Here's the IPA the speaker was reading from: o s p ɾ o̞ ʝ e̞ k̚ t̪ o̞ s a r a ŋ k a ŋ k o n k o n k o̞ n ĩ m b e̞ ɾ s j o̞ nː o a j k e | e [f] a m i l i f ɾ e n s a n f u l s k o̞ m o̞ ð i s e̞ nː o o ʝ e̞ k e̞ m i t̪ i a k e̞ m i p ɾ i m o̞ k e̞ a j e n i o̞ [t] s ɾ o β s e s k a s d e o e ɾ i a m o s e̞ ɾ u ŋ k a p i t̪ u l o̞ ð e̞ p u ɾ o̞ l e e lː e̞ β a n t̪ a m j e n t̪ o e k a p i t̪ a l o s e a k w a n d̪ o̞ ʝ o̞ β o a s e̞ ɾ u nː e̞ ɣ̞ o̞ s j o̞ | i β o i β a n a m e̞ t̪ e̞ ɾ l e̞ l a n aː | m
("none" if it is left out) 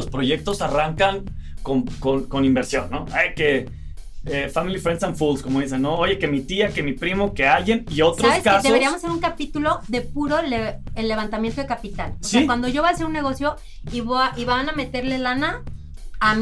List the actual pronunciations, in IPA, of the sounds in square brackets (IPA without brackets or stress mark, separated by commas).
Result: f, t